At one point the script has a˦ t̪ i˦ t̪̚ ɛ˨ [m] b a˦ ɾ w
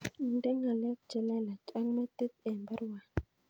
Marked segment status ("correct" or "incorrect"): correct